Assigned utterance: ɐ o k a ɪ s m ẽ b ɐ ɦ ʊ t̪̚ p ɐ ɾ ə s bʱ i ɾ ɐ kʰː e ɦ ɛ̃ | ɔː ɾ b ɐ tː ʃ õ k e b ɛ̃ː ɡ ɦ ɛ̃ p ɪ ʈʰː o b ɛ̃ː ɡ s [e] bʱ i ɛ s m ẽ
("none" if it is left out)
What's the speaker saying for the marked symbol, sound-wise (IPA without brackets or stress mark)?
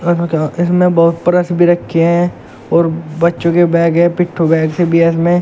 e